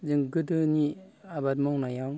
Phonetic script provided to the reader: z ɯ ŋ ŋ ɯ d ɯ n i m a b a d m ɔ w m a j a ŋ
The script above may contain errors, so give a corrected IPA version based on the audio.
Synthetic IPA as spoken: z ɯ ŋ ɡ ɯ d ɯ n i a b a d m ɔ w n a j a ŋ

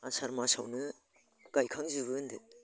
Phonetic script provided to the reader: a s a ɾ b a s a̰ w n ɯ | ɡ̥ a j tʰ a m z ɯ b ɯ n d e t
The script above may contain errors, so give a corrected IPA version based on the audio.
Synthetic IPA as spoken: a s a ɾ m a s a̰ w n ɯ | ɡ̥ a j kʰ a ŋ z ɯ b ɯ n d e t

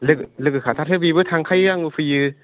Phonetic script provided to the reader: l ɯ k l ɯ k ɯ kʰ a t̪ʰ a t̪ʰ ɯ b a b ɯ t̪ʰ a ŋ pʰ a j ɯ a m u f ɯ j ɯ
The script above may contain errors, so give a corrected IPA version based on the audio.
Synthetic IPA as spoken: l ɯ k l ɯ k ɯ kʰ a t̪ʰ a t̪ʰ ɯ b i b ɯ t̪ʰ a ŋ kʰ a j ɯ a ŋ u f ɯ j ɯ

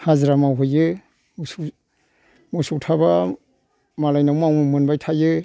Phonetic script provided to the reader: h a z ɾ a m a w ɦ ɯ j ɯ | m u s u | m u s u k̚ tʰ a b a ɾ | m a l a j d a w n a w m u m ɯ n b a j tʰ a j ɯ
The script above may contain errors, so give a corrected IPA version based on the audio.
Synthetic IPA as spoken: h a z ɾ a m a w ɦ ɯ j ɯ | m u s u | m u s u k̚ tʰ a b a | m a l a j n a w m a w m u m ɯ n b a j tʰ a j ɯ

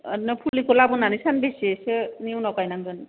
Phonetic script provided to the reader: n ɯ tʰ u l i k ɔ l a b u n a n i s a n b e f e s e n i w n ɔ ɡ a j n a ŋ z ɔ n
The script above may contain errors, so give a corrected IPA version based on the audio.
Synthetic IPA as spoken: n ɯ pʰ u l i k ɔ l a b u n a n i s a n b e s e s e n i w n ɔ k a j n a ŋ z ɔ n

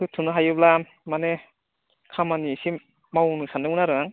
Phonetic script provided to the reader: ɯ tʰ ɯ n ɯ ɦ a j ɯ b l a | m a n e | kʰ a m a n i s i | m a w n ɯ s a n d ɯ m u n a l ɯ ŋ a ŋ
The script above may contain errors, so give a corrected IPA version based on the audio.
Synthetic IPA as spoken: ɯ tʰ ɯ n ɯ ɦ a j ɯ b l a | m a n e | kʰ a m a n i s i | m a w n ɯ s a n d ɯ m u n a ɾ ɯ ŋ a ŋ

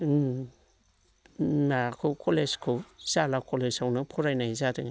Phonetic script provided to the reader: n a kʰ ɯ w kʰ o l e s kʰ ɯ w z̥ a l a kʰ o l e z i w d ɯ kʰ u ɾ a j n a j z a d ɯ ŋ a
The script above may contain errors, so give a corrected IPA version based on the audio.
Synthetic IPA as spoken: n a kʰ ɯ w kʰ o l e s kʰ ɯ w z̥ a l a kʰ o l e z a w n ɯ pʰ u ɾ a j n a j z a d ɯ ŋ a

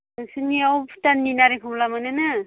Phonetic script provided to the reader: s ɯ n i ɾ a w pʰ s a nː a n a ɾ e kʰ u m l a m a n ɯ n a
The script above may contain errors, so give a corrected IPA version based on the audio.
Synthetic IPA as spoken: s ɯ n i a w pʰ t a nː i n a ɾ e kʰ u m l a m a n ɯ n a

